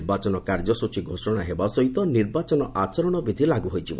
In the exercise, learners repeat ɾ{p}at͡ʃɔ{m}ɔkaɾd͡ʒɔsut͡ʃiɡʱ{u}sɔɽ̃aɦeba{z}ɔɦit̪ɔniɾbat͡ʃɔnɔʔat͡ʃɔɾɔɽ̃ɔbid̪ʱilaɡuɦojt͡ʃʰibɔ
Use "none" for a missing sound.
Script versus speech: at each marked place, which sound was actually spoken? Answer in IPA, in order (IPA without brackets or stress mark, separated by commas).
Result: b, n, o, s